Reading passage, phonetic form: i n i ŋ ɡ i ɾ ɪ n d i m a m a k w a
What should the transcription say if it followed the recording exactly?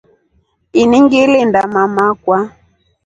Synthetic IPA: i n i ŋ ɡ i l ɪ n d a m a m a k w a